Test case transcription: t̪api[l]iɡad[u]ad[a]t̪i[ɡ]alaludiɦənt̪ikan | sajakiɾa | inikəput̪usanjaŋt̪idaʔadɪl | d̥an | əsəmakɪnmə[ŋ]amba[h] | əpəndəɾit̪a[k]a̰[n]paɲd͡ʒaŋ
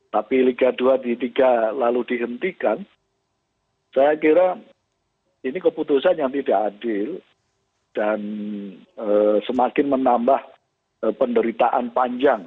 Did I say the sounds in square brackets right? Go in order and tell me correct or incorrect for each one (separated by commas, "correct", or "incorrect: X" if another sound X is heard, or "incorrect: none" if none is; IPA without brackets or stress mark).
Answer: correct, correct, incorrect: i, correct, incorrect: n, correct, incorrect: ʔ, correct